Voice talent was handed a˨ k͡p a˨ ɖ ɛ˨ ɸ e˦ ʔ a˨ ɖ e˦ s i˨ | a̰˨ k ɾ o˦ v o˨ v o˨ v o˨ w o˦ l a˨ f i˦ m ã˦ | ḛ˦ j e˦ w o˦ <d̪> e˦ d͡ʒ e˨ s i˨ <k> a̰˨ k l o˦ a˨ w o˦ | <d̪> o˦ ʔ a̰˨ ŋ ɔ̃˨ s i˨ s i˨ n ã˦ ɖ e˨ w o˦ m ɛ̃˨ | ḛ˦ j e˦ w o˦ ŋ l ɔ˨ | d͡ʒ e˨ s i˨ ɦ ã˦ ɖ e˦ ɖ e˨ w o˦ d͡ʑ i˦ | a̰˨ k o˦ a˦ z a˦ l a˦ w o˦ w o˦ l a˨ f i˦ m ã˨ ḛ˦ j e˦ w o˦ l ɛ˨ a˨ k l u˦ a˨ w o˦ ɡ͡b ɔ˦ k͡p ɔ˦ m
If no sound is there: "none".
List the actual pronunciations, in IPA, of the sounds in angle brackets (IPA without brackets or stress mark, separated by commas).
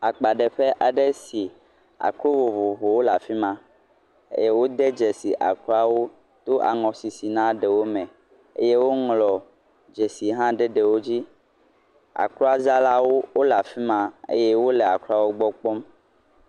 d̪, ʔ, t̪